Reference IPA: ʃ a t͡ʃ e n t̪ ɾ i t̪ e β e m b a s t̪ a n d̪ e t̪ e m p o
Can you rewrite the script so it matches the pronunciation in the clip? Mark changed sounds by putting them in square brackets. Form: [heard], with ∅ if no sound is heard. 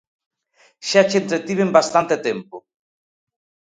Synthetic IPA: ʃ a t͡ʃ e n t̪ ɾ [e] t̪ [i] β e m b a s t̪ a n [t̪] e t̪ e m p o